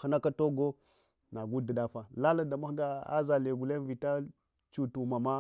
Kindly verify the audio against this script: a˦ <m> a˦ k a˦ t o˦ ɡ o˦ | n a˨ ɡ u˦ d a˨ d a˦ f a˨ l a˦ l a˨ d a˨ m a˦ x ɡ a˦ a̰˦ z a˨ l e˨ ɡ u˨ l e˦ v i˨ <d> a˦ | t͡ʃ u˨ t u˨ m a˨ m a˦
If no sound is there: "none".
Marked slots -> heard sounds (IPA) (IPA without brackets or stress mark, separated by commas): n, t